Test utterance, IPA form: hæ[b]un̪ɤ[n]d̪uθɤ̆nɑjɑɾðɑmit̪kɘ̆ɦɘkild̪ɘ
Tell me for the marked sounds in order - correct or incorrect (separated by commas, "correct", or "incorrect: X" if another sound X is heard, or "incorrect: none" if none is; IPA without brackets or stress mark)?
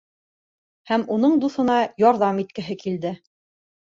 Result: incorrect: m, incorrect: ɴ